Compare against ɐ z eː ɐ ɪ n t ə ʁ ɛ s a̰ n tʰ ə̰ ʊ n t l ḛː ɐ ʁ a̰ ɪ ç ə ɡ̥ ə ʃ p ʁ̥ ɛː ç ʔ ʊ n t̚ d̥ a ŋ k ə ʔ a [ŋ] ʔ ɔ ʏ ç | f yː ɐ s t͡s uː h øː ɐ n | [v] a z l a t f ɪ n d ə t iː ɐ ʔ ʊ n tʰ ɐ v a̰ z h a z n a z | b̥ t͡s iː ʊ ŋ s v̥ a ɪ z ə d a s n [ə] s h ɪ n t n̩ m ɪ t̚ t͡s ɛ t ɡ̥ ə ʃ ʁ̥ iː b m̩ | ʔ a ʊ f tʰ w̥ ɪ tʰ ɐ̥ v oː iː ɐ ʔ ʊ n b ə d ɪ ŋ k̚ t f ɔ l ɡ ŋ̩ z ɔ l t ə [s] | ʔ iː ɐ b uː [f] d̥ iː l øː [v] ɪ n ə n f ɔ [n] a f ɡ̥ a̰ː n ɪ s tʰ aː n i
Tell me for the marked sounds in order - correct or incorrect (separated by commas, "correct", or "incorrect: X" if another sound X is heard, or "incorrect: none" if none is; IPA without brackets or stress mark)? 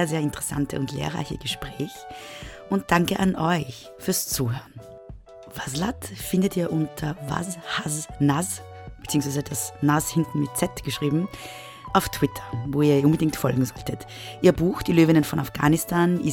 incorrect: n, correct, incorrect: a, incorrect: t, incorrect: x, correct, correct